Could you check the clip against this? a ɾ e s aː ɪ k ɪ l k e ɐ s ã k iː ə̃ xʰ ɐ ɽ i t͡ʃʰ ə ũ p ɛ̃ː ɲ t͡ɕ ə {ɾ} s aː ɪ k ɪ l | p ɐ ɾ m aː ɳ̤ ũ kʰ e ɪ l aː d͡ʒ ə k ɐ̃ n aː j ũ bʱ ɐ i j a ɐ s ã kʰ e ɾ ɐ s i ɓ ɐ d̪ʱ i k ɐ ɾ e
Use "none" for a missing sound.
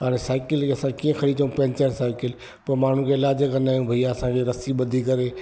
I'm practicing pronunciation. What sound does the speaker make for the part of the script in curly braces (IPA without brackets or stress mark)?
ɾ